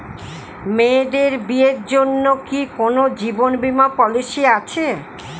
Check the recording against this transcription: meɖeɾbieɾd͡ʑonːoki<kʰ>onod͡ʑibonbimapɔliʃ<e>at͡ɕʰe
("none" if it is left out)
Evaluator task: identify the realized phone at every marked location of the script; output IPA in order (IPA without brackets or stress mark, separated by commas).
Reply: k, i